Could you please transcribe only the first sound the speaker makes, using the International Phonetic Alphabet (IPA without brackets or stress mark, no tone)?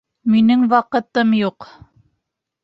m